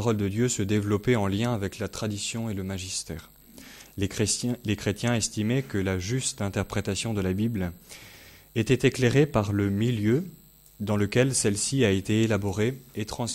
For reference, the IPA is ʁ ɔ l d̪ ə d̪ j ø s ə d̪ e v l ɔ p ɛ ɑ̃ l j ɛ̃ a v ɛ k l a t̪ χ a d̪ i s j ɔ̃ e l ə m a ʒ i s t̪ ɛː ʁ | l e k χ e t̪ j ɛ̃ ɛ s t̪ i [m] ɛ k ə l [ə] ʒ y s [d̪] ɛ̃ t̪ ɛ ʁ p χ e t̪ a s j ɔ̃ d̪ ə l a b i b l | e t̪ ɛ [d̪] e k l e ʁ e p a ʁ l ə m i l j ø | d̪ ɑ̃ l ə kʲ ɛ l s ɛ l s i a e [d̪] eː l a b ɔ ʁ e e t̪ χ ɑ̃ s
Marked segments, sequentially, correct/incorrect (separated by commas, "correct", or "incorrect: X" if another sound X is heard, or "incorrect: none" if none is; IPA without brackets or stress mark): correct, incorrect: a, incorrect: t̪, incorrect: t̪, incorrect: t̪